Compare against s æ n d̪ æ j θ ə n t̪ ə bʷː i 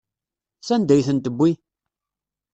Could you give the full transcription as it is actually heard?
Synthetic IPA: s æ n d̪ æ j θ ə n t̪ ə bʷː i